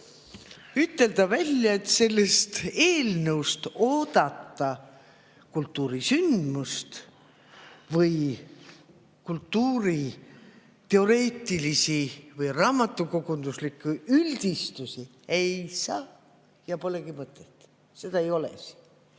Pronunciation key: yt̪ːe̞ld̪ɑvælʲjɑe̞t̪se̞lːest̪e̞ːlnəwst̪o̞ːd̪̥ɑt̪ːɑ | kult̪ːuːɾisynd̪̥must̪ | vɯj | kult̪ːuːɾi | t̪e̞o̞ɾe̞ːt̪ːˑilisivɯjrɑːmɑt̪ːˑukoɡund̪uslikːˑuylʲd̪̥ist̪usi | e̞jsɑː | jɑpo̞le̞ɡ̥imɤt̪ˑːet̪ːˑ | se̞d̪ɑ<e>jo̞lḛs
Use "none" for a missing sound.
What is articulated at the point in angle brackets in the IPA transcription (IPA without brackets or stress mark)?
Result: e